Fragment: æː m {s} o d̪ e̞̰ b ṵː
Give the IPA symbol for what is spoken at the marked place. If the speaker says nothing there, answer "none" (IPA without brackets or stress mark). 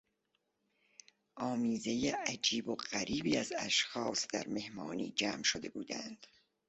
ʃ